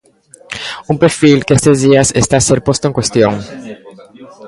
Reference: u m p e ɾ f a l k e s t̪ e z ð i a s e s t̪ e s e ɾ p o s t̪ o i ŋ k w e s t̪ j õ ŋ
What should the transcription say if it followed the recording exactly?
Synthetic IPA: u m p e ɾ f i l k e s t̪ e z ð i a s e s t̪ a s e ɾ p o s t̪ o e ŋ k w e s t̪ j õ ŋ